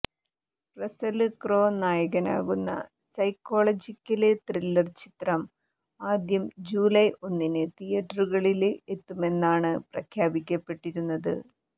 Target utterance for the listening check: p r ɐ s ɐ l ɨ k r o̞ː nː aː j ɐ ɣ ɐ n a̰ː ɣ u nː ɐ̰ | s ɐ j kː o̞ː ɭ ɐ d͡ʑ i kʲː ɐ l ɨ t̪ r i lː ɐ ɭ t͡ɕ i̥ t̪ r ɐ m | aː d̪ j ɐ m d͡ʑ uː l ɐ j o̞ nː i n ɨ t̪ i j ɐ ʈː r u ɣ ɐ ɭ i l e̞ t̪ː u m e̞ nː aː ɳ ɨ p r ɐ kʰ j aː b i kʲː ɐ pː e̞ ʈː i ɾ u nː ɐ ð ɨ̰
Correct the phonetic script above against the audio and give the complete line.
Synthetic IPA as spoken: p r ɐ s ɐ l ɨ k r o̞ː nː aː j ɐ ɣ ɐ n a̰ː ɣ u nː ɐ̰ | s ɐ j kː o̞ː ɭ ɐ d͡ʑ i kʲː ɐ l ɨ t̪ r i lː ɐ r t͡ɕ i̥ t̪ r ɐ m | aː d̪ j ɐ m d͡ʑ uː l ɐ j o̞ nː i n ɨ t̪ i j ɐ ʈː r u ɣ ɐ ɭ i l e̞ t̪ː u m e̞ nː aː ɳ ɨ p r ɐ kʰ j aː b i kʲː ɐ pː e̞ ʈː i ɾ u nː ɐ ð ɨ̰